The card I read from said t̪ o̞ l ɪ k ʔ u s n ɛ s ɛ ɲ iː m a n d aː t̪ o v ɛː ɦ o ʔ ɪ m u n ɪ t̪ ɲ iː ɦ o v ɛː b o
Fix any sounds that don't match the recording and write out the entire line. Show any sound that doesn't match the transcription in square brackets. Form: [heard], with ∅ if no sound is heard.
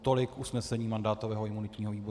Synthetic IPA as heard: t̪ o̞ l ɪ k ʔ u s n ɛ s ɛ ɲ iː m a n d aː t̪ o v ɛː ɦ o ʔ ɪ m u n ɪ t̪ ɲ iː ɦ o v [iː] b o